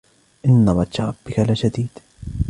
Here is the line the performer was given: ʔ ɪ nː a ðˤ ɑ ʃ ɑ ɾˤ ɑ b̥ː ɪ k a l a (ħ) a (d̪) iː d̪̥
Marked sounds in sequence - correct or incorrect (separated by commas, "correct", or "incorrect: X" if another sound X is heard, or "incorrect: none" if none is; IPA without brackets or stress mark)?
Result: incorrect: ʃ, correct